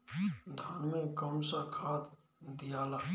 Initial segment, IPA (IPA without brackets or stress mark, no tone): d̪ʱ